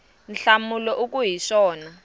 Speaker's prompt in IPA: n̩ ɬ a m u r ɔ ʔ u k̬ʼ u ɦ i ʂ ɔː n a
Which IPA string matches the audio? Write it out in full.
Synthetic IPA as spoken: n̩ ɬ a m u l ɔ ʔ u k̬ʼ u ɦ i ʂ ɔː n a